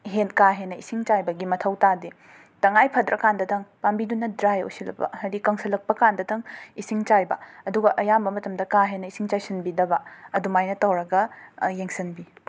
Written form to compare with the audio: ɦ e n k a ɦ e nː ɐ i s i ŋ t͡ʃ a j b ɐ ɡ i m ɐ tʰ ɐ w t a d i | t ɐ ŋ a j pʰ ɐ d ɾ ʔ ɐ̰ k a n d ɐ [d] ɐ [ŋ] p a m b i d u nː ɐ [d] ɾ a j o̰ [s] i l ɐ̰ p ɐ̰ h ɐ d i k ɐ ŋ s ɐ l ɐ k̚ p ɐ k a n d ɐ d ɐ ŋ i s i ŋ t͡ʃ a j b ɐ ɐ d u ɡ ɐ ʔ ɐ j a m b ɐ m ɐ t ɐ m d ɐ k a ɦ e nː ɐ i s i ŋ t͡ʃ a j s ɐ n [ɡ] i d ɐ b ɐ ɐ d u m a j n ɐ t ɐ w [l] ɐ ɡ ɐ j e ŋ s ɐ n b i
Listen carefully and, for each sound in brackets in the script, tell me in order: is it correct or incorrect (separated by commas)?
correct, correct, correct, correct, incorrect, incorrect